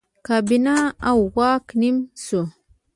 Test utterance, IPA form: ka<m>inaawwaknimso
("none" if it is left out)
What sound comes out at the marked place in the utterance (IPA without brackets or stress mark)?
b